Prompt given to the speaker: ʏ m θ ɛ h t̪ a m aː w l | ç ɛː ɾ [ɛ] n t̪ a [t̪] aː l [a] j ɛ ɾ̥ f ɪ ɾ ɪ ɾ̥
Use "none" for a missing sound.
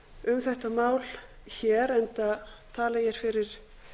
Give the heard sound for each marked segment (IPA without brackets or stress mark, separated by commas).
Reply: ɛ, t̪ʰ, a